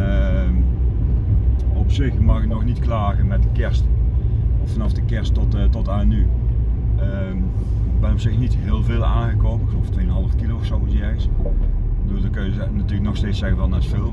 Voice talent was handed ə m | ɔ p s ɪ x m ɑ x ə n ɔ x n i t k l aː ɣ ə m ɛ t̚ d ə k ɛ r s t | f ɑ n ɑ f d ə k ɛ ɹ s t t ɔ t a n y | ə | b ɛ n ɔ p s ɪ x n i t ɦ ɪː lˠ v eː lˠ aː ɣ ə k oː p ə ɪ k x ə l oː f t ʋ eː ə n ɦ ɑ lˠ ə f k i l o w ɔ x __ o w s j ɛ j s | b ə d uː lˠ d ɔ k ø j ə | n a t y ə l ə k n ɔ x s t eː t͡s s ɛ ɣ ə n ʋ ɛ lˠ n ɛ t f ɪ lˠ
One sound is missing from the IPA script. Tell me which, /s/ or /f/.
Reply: s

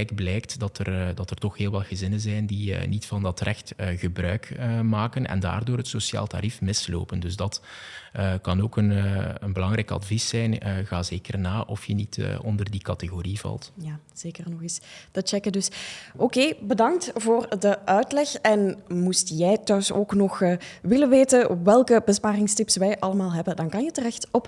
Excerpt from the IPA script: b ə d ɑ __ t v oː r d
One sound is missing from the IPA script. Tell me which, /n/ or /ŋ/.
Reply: ŋ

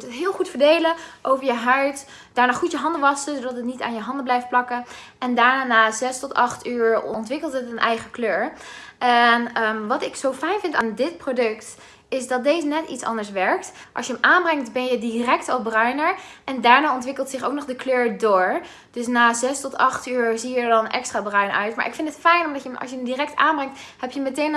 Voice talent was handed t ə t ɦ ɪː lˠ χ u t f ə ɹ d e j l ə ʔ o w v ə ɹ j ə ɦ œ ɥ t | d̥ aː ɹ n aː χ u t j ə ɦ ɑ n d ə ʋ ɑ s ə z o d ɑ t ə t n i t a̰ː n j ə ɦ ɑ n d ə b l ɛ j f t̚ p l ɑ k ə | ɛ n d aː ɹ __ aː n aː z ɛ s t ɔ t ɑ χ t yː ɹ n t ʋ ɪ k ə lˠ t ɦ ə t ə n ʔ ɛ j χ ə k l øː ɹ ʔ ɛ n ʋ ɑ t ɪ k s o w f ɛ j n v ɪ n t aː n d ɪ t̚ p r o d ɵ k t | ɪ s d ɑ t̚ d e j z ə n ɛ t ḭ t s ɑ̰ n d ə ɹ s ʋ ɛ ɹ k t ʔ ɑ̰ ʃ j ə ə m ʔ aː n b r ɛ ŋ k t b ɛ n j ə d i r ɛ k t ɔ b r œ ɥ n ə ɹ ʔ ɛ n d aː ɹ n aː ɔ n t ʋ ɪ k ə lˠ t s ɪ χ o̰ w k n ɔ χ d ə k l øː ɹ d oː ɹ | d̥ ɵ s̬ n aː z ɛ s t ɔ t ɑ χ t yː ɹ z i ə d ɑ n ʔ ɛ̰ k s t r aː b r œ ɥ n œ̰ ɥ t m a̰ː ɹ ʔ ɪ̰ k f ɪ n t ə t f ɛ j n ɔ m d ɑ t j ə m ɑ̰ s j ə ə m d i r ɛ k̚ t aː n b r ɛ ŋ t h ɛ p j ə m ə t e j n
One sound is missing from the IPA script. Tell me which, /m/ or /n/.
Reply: n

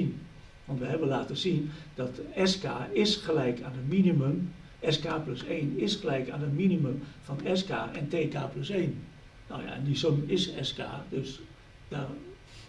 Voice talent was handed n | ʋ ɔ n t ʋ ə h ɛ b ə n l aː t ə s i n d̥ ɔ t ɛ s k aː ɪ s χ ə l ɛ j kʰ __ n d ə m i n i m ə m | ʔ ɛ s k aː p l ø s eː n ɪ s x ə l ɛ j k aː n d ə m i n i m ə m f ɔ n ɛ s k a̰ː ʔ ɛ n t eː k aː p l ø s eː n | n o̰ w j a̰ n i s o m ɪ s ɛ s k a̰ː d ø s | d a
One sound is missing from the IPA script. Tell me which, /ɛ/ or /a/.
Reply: a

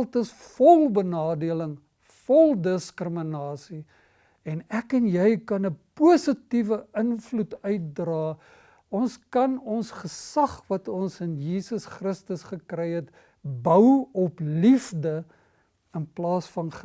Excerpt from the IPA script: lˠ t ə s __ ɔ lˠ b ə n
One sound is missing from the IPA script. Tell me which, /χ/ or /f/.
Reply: f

